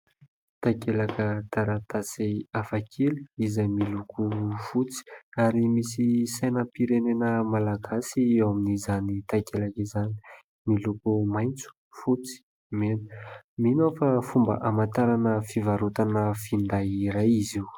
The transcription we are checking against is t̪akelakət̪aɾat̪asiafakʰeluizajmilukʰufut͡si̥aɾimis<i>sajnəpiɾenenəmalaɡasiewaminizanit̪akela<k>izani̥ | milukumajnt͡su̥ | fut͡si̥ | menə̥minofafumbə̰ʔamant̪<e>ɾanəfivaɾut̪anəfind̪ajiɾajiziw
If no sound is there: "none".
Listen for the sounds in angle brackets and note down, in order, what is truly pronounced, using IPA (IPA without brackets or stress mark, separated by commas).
i, k, a